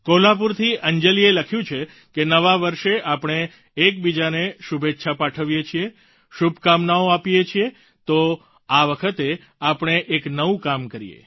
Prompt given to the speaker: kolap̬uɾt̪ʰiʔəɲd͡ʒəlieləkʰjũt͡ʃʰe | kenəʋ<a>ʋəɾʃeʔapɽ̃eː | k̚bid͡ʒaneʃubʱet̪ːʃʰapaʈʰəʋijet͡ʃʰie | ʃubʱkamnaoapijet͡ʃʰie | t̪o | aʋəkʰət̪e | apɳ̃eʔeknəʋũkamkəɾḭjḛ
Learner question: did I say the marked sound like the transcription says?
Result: yes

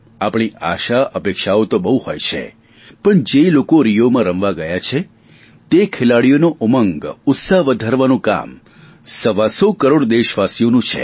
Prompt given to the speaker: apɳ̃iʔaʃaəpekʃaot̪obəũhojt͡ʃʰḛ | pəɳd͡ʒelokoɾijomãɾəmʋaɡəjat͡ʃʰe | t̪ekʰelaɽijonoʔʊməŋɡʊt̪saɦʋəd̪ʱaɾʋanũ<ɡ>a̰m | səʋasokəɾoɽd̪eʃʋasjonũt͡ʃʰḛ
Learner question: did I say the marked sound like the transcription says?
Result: no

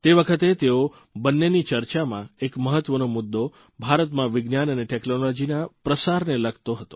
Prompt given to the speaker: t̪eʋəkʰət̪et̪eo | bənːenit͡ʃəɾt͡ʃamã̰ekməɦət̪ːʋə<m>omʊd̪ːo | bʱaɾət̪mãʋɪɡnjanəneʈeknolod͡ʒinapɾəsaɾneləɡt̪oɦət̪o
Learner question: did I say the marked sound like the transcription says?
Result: no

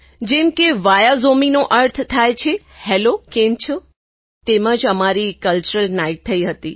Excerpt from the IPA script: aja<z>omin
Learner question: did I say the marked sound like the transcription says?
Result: yes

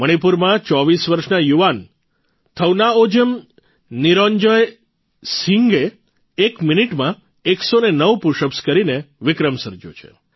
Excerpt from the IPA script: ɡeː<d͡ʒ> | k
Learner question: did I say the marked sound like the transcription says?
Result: no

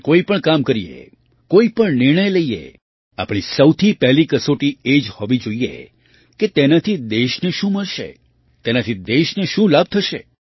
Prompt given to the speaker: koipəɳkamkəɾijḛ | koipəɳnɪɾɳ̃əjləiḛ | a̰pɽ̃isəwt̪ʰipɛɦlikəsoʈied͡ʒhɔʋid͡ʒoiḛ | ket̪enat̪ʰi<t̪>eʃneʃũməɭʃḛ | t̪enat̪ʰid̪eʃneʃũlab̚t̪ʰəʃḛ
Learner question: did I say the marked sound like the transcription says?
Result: no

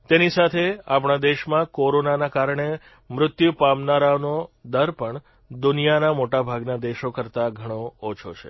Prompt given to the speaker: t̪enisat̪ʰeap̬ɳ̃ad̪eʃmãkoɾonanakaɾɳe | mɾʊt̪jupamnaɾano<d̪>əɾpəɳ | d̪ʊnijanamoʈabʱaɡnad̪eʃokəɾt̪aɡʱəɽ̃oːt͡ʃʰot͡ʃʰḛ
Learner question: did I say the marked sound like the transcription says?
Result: yes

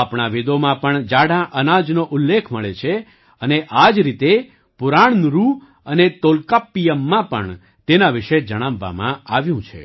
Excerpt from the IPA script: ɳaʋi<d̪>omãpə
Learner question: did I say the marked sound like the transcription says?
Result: yes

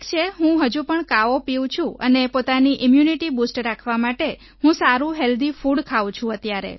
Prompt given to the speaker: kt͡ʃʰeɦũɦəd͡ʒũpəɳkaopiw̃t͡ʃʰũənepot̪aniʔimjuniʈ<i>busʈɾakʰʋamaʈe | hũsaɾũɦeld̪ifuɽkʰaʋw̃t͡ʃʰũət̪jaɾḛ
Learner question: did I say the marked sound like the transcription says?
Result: yes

